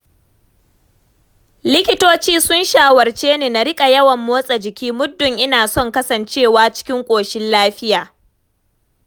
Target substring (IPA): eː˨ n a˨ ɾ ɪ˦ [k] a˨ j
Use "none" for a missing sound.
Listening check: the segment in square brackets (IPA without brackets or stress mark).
kʼ